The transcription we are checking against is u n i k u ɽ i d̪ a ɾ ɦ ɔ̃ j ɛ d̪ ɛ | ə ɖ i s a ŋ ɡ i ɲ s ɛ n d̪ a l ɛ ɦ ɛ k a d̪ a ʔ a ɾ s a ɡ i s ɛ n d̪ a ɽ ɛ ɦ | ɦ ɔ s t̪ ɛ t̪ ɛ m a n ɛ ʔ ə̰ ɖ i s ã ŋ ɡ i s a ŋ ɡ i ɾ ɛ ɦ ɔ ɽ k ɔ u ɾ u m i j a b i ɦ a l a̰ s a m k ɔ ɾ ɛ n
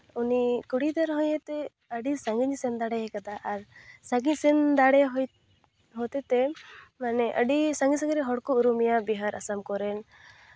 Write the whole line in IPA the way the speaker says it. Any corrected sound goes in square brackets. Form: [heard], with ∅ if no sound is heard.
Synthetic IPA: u n i k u ɽ i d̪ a ɾ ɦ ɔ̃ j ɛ [t̪] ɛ | ə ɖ i s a ŋ ɡ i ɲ s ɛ n d̪ a [ɽ] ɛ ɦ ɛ k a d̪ a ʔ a ɾ s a ɡ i s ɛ n d̪ a ɽ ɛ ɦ | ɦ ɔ [∅] t̪ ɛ t̪ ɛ m a n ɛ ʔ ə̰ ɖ i s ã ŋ ɡ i s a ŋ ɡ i ɾ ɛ ɦ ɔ ɽ k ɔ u ɾ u m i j a b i ɦ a [ɾ] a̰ s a m k ɔ ɾ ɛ n